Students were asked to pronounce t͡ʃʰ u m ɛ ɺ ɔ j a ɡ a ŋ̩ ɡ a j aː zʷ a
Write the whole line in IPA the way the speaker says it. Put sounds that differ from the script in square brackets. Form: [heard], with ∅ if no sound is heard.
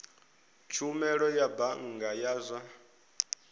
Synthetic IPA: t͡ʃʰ u m ɛ ɺ ɔ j a [b] a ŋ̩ ɡ a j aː zʷ a